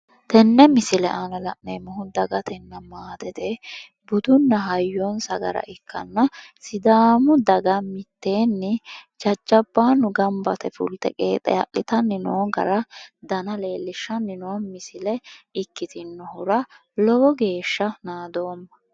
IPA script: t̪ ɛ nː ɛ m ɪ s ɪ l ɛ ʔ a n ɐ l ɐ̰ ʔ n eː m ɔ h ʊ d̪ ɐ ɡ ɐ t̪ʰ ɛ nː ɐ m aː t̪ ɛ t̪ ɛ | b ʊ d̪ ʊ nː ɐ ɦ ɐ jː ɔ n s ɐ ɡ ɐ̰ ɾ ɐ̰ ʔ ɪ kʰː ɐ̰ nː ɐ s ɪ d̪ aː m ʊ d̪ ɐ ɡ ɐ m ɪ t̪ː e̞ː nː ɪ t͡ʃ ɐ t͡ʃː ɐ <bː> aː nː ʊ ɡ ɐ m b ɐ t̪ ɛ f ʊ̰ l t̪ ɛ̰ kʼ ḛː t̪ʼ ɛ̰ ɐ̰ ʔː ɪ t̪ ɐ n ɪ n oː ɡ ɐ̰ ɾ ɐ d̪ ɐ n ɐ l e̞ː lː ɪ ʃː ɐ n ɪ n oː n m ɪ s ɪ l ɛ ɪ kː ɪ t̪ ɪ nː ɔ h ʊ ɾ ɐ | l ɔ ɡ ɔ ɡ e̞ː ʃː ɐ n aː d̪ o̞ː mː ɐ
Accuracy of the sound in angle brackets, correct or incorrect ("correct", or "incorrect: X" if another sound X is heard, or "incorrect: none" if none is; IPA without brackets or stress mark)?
correct